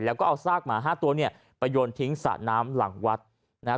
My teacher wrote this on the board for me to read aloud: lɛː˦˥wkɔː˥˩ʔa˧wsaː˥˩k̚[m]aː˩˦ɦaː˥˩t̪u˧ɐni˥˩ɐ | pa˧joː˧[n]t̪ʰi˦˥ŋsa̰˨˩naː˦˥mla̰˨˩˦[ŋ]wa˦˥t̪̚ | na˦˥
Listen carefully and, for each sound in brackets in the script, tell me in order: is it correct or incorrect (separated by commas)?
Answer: correct, correct, correct